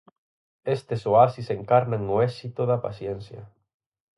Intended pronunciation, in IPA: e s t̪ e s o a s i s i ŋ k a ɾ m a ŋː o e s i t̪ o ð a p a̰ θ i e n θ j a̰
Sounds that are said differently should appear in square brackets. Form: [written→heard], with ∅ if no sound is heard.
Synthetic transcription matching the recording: e s t̪ e s o a s i s [i→e] ŋ k a ɾ [m→n] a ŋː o e s i t̪ o ð a p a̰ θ [i→j] e n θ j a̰